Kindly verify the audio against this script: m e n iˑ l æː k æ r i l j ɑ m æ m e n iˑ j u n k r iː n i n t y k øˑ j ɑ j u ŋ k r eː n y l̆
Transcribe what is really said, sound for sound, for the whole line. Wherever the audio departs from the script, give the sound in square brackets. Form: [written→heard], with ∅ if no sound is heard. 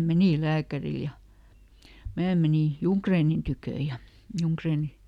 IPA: m e n iˑ l æː k æ r i l j ɑ m [æ→æː] m e n iˑ j u [n→ŋ] k r [iː→eː] n i n t y k øˑ j ɑ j u ŋ k r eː n [y→i] l̆